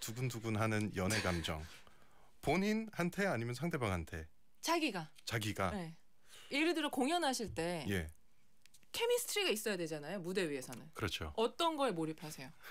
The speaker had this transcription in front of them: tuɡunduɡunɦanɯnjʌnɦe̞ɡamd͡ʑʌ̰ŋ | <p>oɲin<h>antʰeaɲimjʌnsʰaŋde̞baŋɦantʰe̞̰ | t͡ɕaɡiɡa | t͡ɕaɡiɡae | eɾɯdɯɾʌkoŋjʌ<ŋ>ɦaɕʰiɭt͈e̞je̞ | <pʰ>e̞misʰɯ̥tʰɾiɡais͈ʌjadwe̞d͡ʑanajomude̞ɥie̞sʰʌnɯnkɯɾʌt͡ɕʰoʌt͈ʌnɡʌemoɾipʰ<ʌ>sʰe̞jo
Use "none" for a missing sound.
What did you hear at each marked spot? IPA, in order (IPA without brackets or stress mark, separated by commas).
p, h, n, kʰ, a